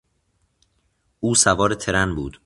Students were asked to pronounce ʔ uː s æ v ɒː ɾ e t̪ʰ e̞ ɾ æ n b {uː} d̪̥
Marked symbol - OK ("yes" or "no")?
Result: yes